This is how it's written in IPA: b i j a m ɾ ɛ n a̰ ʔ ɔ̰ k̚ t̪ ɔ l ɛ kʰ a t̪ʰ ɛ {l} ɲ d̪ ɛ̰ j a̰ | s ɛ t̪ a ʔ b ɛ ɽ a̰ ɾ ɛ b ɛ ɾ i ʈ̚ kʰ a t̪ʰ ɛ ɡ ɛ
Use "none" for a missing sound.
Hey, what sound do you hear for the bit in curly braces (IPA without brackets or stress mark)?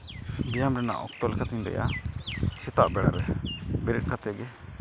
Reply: none